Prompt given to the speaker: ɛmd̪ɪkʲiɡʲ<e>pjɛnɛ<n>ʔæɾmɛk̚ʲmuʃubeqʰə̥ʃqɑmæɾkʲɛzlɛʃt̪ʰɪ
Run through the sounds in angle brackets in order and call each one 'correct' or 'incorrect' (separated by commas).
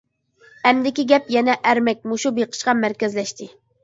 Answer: incorrect, incorrect